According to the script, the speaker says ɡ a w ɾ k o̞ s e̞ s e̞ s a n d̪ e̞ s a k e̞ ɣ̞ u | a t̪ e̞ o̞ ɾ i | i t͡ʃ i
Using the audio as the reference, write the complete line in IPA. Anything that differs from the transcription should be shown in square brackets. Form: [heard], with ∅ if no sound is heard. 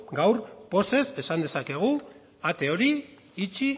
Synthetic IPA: ɡ a w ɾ [p] o̞ s e̞ s e̞ s a n d̪ e̞ s a k e̞ ɣ̞ u | a t̪ e̞ o̞ ɾ i | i t͡ʃ i